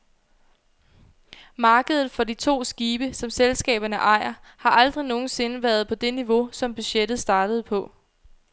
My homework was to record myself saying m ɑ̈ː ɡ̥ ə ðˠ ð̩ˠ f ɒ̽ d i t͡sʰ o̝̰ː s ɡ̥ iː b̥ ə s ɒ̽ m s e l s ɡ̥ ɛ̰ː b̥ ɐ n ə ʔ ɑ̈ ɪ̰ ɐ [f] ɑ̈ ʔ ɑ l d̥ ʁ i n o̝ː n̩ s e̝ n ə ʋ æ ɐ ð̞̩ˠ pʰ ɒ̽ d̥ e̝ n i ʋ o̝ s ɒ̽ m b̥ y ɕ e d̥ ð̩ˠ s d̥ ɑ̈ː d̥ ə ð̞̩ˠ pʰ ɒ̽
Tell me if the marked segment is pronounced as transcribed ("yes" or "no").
no